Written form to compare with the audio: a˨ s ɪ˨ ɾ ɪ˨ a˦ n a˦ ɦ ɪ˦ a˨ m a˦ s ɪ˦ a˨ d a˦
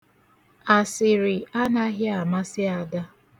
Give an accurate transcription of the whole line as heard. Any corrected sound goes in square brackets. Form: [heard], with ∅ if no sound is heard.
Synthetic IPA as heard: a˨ s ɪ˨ ɾ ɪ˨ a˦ n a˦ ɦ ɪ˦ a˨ m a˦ s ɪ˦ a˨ d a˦